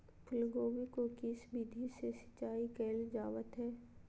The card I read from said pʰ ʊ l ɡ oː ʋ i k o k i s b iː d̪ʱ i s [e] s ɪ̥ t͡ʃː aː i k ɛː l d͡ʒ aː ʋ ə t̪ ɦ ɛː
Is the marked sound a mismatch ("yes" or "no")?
no